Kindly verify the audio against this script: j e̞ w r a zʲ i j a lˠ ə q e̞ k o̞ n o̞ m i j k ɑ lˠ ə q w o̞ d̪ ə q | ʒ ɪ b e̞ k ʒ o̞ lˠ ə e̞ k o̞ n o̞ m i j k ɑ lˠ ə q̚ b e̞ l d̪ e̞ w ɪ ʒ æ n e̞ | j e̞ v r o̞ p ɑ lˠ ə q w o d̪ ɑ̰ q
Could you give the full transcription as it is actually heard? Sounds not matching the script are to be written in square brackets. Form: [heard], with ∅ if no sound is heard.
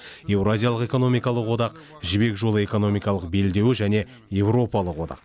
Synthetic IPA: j e̞ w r a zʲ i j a lˠ ə q e̞ k o̞ n o̞ m i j k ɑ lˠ ə q w o̞ d̪ [ɑ] q | ʒ ɪ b e̞ k ʒ o̞ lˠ ə e̞ k o̞ n o̞ m i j k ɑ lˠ ə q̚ b e̞ l d̪ e̞ w ɪ ʒ æ n e̞ | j e̞ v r o̞ p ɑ lˠ ə q w o d̪ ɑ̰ q